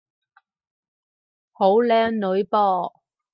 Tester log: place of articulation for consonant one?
glottal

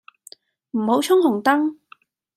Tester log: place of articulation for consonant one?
labial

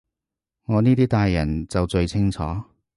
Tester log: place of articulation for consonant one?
velar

